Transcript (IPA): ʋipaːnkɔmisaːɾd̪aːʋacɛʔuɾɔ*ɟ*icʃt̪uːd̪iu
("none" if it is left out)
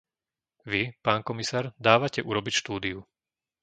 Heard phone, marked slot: b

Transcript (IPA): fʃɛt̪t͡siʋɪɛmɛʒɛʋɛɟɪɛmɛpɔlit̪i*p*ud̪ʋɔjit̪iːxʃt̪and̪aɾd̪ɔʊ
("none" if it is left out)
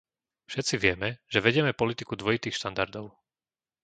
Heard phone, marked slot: k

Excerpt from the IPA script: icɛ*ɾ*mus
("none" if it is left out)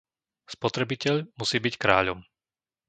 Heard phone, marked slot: ʎ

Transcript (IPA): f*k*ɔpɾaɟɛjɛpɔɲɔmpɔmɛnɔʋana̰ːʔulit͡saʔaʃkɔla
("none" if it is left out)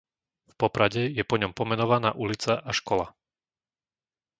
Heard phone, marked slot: p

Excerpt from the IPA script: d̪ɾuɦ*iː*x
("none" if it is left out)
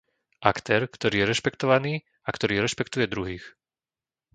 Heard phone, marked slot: iː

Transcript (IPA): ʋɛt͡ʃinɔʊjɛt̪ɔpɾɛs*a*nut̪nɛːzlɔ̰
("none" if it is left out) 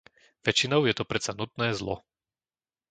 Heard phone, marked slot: a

